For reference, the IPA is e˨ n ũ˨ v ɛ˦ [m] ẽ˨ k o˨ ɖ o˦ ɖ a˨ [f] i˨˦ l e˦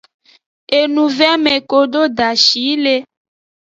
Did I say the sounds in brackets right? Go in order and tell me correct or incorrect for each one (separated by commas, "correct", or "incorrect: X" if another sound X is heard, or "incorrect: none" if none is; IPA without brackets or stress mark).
correct, incorrect: ʃ